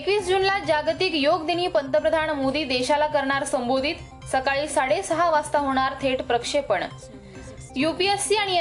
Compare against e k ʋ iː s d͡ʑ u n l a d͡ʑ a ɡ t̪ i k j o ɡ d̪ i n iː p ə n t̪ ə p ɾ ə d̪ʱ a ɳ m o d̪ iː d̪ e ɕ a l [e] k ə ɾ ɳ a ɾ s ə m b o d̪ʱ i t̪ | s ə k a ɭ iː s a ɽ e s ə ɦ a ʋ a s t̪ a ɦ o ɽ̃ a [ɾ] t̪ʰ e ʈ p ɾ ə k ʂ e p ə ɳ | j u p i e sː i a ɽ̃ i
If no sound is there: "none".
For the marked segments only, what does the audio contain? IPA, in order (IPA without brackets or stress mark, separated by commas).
a, ɾ